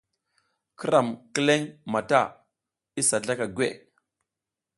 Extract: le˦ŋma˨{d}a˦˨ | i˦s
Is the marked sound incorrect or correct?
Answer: incorrect